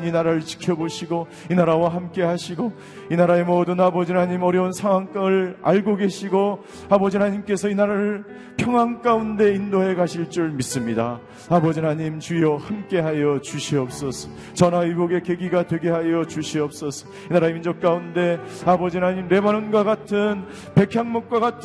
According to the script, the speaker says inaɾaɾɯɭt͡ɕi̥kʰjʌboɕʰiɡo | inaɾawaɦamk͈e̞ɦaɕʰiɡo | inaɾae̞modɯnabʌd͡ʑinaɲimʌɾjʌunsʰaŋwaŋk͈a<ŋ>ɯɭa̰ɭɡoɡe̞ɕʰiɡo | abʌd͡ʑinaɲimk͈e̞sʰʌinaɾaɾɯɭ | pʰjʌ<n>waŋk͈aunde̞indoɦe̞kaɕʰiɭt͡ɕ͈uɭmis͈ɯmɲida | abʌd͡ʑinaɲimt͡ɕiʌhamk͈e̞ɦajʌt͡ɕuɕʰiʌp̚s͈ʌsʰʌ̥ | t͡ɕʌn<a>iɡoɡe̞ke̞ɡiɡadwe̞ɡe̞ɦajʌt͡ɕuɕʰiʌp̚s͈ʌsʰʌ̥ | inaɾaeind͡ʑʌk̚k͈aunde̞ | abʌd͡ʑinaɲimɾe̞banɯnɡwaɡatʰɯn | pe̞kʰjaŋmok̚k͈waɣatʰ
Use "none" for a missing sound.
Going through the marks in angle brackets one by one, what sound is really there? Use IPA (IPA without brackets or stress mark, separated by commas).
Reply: ŋ, ŋ, a